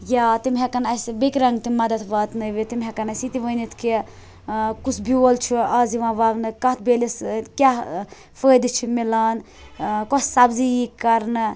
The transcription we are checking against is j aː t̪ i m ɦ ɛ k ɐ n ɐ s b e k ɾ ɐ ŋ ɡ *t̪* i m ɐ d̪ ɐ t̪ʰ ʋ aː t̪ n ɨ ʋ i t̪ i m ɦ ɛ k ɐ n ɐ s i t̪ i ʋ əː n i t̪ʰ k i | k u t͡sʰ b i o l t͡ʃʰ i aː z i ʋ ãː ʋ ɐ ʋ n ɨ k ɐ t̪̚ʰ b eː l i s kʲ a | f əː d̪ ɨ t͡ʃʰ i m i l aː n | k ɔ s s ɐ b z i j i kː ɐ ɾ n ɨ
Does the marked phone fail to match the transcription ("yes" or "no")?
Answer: no